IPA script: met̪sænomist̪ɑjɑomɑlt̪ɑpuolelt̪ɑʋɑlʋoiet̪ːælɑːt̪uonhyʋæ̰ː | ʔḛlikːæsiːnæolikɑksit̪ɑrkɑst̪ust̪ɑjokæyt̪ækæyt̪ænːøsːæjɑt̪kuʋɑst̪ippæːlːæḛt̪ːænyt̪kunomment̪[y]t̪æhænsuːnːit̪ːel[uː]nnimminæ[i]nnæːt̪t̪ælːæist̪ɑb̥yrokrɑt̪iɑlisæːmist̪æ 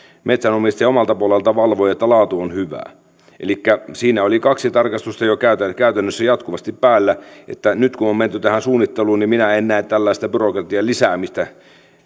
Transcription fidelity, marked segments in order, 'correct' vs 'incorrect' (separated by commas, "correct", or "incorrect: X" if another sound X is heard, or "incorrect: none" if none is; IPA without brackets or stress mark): correct, correct, incorrect: e